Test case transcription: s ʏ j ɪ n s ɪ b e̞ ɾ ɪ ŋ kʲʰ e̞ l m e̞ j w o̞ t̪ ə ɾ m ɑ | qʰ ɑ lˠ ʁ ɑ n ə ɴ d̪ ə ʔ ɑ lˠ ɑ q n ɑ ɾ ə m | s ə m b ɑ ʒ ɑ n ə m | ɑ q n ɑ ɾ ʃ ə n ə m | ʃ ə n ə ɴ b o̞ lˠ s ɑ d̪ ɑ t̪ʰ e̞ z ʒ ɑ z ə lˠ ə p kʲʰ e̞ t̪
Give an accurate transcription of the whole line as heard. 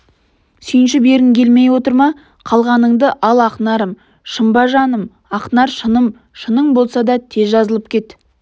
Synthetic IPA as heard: s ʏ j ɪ n ʃ ɪ b e̞ ɾ ɪ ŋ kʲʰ e̞ l m e̞ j w o̞ t̪ ə ɾ m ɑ | qʰ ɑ lˠ ʁ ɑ n ə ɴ d̪ ə ʔ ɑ lˠ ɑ q n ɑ ɾ ə m | ʃ ə m b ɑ ʒ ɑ n ə m | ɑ q n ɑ ɾ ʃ ə n ə m | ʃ ə n ə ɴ b o̞ lˠ s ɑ d̪ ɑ t̪ʰ e̞ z ʒ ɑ z ə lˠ ə p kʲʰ e̞ t̪